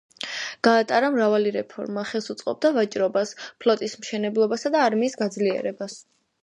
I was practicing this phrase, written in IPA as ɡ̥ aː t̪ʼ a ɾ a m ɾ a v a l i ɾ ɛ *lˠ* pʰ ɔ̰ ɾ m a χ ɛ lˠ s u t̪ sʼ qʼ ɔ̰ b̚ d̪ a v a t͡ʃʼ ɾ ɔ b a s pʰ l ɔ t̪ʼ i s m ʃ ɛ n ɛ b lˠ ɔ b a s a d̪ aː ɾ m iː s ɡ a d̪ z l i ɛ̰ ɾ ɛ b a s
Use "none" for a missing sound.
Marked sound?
none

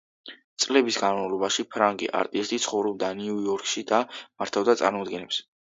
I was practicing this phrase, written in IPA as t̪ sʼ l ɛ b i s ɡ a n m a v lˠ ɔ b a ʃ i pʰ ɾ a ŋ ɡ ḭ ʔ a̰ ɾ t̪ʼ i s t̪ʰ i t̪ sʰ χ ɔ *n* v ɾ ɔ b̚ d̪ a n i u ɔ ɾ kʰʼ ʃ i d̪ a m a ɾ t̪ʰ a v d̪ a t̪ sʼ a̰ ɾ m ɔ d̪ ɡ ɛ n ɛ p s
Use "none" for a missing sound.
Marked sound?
none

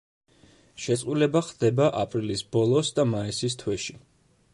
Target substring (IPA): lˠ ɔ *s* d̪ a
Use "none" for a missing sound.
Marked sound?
s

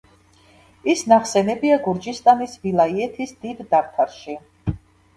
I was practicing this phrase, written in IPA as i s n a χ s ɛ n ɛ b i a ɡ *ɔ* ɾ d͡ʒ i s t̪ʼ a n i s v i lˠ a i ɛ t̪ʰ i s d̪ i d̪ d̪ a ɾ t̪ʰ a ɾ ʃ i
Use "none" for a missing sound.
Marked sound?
u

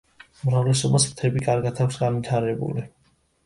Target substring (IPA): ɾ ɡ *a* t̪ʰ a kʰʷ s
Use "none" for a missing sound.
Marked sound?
a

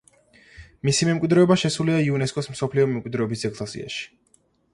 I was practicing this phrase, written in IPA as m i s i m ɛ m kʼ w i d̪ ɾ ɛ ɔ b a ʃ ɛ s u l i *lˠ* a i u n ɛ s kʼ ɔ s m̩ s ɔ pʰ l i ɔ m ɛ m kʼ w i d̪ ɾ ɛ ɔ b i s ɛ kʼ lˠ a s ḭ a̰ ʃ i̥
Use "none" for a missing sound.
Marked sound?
none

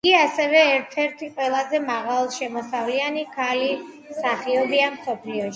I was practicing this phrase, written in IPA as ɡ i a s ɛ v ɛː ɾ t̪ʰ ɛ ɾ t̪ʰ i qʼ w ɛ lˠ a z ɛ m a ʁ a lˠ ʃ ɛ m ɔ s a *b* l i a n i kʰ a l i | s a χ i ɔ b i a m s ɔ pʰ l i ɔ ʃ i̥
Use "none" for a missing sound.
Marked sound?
v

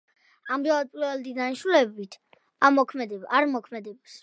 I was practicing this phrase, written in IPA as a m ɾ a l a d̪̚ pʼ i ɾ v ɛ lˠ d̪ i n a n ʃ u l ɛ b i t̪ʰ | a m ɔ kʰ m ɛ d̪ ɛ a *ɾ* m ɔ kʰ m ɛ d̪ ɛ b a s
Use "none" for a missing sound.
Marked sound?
ɾ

